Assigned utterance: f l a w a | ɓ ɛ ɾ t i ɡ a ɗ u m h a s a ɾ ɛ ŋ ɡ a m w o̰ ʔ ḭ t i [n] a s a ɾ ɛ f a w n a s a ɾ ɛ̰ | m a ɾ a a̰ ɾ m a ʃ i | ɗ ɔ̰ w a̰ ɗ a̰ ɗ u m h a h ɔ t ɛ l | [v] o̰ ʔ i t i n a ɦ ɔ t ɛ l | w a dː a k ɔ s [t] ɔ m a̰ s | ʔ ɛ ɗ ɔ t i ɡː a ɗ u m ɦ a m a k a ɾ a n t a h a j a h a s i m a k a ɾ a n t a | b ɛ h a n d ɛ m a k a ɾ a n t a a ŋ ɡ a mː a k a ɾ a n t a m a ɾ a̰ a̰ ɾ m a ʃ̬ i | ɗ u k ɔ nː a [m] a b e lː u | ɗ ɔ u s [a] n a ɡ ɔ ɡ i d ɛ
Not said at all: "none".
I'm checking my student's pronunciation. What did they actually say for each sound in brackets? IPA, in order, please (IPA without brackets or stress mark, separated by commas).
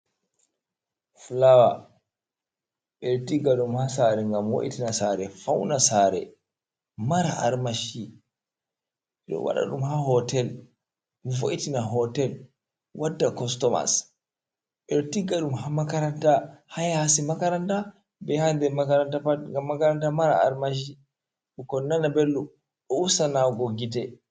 n, v, t, n, a